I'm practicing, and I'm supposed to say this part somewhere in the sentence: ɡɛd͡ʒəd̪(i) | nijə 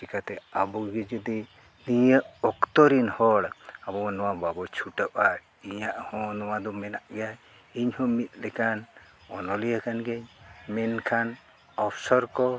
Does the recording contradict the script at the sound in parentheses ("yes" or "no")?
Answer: no